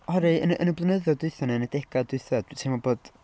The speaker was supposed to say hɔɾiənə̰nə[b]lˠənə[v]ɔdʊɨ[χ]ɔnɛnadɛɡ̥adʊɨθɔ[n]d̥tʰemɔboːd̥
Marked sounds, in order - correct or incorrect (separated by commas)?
correct, incorrect, incorrect, incorrect